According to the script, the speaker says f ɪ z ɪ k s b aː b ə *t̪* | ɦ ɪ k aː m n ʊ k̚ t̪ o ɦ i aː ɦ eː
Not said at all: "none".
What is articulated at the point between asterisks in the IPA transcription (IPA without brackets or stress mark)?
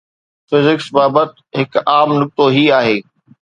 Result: t̪